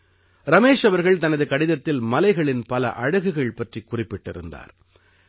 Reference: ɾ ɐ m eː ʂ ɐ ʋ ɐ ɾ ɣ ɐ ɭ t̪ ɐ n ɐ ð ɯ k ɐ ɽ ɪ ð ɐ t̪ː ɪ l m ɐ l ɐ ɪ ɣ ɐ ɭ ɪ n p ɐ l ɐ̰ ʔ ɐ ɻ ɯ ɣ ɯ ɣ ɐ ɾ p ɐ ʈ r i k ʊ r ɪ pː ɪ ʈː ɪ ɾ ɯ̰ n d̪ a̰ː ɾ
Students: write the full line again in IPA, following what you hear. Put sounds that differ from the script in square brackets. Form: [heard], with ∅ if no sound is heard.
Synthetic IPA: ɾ ɐ m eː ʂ ɐ ʋ ɐ ɾ ɣ ɐ ɭ t̪ ɐ n ɐ ð ɯ k ɐ ɽ ɪ ð ɐ t̪ː ɪ l m ɐ l ɐ ɪ ɣ ɐ ɭ ɪ n p ɐ l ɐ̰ ʔ ɐ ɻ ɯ ɣ ɯ ɣ ɐ [ɭ] p ɐ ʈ r i k ʊ r ɪ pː ɪ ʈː ɪ ɾ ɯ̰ n d̪ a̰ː ɾ